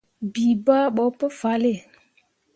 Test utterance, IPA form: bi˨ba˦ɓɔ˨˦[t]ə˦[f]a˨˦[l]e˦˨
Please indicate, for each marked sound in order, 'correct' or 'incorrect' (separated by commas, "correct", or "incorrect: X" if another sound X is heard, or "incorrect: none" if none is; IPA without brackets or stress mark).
incorrect: p, correct, correct